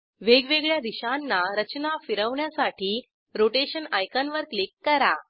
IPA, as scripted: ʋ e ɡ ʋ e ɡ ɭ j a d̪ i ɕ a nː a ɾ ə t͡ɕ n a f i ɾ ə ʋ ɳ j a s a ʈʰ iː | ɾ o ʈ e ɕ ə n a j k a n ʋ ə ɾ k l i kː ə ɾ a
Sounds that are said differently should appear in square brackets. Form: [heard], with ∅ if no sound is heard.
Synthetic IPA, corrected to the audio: ʋ e ɡ ʋ e ɡ ɭ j a d̪ i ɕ a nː a ɾ ə t͡ɕ n a f i ɾ ə ʋ ɳ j a s a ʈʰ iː | ɾ o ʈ e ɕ ə n a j k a n ʋ ə ɾ k l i kː ə ɾ a